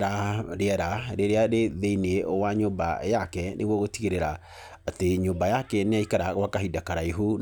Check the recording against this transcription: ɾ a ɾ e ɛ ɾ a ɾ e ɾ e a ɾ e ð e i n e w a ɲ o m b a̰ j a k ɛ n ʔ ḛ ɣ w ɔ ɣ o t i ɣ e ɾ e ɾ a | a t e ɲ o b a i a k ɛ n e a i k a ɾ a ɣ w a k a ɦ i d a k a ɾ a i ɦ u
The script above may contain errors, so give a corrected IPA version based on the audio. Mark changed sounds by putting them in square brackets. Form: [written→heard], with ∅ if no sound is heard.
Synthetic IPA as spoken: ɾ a ɾ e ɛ ɾ a ɾ e ɾ e a ɾ e ð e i n e w a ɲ o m b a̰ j a k ɛ n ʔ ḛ ɣ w ɔ ɣ o t i ɣ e ɾ e ɾ a | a t e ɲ o b a [i→j] a k ɛ n e a i k a ɾ a ɣ w a k a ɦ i d a k a ɾ a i ɦ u